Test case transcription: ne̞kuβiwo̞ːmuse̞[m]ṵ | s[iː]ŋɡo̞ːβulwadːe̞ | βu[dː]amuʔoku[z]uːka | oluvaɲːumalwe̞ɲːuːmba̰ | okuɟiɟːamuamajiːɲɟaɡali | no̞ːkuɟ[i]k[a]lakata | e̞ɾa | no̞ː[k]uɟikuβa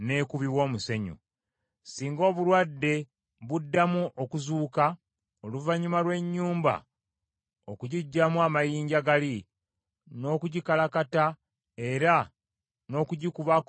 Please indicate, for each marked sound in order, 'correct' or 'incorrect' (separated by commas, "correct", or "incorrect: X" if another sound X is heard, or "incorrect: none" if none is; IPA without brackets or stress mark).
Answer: incorrect: ɲ, correct, correct, correct, correct, correct, correct